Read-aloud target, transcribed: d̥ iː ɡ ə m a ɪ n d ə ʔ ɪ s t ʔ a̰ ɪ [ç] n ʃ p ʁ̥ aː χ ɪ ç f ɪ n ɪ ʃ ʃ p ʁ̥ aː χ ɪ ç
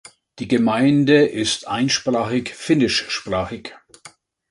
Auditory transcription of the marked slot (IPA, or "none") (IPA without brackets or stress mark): none